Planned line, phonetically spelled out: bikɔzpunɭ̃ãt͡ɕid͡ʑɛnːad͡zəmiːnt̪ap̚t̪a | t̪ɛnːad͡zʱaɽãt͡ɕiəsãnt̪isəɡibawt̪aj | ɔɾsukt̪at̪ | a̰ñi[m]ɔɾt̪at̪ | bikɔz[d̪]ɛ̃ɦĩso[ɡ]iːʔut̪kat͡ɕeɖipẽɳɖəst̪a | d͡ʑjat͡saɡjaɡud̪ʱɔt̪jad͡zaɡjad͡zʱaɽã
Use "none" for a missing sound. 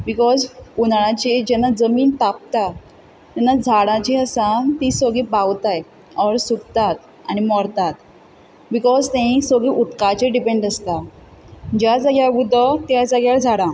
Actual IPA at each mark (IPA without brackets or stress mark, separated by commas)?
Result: m, t̪, ɡ